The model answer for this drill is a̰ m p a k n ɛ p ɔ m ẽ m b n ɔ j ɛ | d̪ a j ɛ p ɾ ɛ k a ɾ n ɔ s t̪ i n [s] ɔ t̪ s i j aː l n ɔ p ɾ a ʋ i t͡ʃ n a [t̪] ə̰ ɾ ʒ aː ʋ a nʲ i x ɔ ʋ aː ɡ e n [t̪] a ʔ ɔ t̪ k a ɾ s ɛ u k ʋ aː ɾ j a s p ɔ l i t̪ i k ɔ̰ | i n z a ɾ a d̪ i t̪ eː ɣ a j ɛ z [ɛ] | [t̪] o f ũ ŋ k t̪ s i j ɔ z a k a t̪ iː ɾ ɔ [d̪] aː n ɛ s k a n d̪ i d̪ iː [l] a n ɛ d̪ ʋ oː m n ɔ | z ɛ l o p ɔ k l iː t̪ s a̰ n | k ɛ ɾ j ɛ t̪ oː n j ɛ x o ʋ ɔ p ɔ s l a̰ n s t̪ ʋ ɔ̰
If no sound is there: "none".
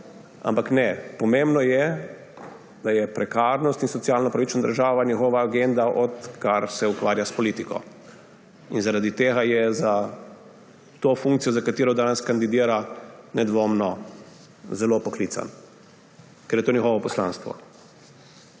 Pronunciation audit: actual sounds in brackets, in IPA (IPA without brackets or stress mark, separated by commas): s, d̪, d̪, a, t̪, d̪, ɾ